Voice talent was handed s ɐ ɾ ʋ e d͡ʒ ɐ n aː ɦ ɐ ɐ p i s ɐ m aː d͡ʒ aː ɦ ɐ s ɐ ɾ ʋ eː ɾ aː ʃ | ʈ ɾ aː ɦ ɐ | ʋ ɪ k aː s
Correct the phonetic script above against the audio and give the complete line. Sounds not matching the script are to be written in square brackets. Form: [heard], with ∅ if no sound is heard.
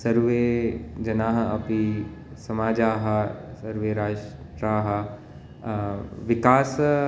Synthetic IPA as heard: s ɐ ɾ ʋ e d͡ʒ ɐ n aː ɦ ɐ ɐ p i s ɐ m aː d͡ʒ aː ɦ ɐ s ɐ ɾ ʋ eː ɾ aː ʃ | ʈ ɾ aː ɦ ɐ | ʋ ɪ k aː s